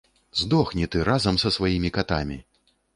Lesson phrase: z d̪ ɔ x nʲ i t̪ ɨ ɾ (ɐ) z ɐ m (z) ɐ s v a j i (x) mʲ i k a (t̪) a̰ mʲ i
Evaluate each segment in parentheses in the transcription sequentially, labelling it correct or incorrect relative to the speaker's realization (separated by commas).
incorrect, incorrect, incorrect, correct